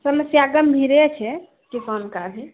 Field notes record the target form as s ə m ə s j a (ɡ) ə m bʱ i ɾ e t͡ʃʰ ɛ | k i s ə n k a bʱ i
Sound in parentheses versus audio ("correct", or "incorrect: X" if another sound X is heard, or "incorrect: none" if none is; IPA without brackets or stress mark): correct